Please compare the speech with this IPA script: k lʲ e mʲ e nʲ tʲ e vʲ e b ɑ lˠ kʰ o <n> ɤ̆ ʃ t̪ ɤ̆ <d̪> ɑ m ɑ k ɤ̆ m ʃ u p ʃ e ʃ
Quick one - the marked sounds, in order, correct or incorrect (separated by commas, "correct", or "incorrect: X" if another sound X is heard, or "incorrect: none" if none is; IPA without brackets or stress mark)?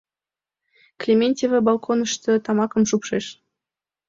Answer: correct, incorrect: t̪